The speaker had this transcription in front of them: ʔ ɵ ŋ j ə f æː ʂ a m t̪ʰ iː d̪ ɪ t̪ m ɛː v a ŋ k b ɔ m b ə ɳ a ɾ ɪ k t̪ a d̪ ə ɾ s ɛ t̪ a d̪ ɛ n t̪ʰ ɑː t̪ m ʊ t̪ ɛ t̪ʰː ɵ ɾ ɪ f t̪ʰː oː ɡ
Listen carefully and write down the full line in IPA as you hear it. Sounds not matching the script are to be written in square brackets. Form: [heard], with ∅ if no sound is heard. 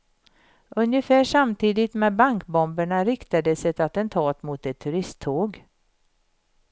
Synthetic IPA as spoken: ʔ ɵ [n] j ə f æː ʂ a m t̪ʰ iː d̪ ɪ t̪ m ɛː [b] a ŋ k b ɔ m b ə ɳ a ɾ ɪ k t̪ a d̪ ə [∅] s ɛ t̪ a [t̪] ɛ n t̪ʰ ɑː t̪ m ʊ t̪ ɛ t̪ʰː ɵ ɾ ɪ [s] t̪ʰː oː ɡ